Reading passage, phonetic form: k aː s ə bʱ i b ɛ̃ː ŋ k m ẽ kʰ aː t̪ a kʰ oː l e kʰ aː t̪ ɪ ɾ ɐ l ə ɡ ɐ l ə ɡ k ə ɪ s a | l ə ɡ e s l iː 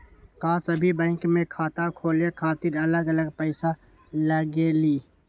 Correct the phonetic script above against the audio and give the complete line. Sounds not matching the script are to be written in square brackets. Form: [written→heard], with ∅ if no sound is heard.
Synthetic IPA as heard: k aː s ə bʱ i b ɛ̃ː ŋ k m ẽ kʰ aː t̪ a kʰ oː l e kʰ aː t̪ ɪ ɾ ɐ l ə ɡ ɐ l ə ɡ [k→p] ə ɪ s a | l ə ɡ e [s→∅] l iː